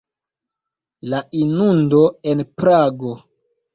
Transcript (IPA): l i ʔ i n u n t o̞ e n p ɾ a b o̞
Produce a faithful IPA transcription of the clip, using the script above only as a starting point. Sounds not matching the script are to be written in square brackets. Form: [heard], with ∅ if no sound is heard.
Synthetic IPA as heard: l [a] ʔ i n u n [d] o̞ e n p ɾ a [ɡ] o̞